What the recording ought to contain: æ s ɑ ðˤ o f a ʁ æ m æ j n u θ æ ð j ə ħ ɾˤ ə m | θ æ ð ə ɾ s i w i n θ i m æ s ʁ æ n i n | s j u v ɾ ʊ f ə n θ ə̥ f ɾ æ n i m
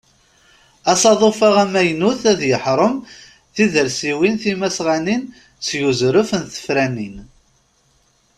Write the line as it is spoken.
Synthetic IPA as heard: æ s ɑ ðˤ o f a ʁ æ m æ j n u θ æ ð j ə ħ ɾˤ ə m | θ i ð ə ɾ s i w i n θ i m æ s ʁ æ n i n | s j u z ɾ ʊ f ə n θ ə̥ f ɾ æ n i n